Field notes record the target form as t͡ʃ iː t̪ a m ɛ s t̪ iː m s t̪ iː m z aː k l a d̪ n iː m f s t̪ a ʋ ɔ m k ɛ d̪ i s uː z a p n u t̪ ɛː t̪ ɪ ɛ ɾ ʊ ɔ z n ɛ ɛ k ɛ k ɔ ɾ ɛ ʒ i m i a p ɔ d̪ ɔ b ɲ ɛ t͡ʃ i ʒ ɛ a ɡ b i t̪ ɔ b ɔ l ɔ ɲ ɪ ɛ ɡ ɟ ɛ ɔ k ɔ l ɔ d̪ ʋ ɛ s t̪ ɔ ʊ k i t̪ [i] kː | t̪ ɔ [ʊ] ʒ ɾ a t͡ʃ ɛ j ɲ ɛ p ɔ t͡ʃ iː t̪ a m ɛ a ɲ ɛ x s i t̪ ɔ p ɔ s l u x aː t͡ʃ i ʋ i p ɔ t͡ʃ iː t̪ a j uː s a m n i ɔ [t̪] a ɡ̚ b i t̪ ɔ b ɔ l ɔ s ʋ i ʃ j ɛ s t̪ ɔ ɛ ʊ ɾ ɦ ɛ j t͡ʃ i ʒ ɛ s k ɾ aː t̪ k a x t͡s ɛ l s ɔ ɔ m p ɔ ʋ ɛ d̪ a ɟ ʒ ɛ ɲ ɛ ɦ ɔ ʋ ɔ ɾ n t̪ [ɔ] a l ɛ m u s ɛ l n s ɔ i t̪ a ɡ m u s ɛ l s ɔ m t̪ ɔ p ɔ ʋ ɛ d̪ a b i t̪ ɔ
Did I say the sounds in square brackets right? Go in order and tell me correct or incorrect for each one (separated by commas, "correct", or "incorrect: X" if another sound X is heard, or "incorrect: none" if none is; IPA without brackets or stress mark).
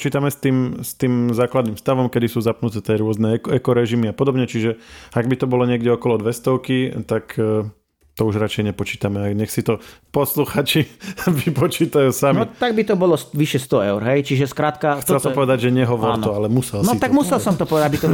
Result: incorrect: a, incorrect: u, correct, correct